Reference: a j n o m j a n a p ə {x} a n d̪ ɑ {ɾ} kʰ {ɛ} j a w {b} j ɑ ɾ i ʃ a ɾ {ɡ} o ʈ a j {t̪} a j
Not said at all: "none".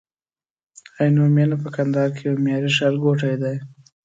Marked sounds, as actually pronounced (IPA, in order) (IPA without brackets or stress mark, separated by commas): k, ɾ, e, m, ɡ, d̪